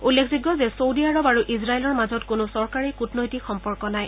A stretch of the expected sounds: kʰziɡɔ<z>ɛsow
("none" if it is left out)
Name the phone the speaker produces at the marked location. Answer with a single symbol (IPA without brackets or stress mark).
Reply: z